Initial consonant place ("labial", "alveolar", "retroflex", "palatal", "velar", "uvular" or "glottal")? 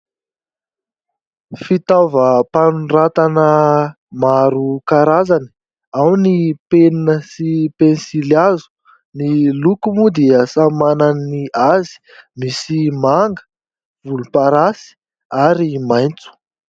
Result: labial